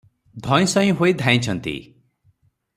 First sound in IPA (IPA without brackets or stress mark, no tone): d̪ʱ